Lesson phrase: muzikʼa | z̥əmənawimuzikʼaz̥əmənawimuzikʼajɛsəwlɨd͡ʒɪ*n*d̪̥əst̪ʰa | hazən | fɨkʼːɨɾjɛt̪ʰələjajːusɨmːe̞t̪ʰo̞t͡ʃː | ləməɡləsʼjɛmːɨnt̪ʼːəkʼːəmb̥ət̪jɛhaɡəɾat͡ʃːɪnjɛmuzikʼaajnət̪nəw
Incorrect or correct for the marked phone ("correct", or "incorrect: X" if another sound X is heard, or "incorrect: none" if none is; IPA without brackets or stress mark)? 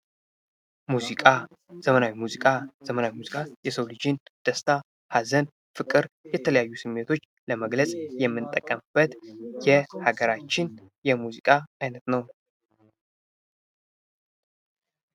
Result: correct